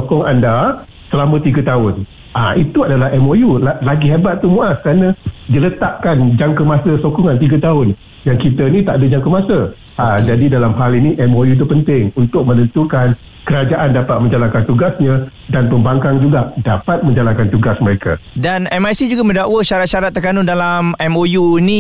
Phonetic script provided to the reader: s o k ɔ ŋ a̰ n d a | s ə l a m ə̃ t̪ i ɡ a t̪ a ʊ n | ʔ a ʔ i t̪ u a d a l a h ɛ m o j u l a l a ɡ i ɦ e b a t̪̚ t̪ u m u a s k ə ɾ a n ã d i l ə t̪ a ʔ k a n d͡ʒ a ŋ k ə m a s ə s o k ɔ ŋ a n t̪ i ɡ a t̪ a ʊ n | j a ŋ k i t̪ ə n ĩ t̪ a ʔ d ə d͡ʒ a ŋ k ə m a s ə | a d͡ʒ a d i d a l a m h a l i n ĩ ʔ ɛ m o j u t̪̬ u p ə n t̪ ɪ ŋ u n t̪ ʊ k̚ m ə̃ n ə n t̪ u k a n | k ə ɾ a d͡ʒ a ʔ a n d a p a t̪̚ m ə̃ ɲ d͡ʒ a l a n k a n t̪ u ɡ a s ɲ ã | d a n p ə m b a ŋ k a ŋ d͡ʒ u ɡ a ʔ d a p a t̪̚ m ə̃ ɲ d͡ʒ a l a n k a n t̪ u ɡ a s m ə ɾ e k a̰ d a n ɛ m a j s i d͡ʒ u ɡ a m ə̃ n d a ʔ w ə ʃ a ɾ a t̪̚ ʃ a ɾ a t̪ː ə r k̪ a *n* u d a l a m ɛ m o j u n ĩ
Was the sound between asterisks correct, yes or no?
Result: yes